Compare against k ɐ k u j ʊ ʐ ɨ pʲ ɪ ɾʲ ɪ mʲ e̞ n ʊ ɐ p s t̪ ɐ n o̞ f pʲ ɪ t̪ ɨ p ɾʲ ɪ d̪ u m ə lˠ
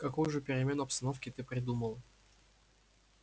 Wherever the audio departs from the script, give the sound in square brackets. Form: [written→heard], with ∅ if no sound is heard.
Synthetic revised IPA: k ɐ k u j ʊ ʐ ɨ pʲ ɪ ɾʲ ɪ mʲ e̞ n ʊ ɐ p s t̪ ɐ n o̞ f [pʲ→kʲ] ɪ t̪ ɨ p ɾʲ ɪ d̪ u m ə lˠ

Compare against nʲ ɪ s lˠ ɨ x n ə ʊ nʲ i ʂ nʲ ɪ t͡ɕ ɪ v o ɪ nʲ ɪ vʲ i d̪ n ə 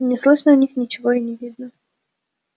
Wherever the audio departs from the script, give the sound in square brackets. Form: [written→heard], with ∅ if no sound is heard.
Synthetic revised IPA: nʲ ɪ s lˠ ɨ [x→ʂ] n ə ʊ nʲ i [ʂ→x] nʲ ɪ t͡ɕ ɪ v o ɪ nʲ ɪ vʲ i d̪ n ə

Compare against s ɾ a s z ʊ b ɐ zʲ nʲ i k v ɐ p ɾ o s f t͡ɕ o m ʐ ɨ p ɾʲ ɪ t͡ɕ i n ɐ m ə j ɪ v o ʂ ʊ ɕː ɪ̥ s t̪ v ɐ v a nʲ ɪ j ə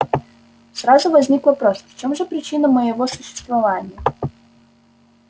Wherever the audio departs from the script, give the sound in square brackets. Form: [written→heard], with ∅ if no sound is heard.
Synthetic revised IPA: s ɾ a [s→∅] z ʊ [b→v] ɐ zʲ nʲ i k v ɐ p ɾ o s f t͡ɕ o m ʐ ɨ p ɾʲ ɪ t͡ɕ i n [ɐ→ə] m ə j ɪ v o [ʂ→s] ʊ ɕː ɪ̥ s t̪ v ɐ v a nʲ ɪ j ə

